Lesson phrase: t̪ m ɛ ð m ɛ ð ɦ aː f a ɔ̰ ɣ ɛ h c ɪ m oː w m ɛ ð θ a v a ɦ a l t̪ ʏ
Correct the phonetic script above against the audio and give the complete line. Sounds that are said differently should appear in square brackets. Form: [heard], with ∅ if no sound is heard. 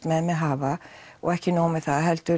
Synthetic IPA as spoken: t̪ m ɛ ð m ɛ ð ɦ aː [v] a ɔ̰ ɣ ɛ h c ɪ [n] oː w m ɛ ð θ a [ð] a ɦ [ɛ] l t̪ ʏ